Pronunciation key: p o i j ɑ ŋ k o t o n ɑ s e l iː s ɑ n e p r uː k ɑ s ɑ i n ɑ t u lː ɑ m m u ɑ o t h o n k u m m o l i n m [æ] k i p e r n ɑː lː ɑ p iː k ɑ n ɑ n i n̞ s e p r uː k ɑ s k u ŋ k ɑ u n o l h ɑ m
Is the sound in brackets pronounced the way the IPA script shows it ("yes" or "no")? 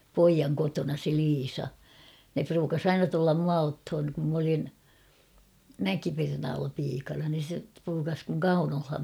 yes